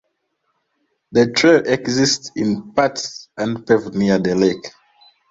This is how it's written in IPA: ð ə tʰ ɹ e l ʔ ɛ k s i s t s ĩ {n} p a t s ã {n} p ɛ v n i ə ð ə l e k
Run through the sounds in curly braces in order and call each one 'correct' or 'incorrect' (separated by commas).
correct, correct